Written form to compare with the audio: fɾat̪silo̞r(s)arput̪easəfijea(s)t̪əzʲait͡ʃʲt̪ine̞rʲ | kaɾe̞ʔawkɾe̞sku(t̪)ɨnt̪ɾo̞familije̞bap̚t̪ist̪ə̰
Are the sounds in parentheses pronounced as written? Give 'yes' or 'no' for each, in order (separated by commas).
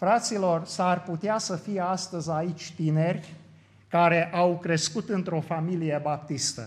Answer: yes, yes, yes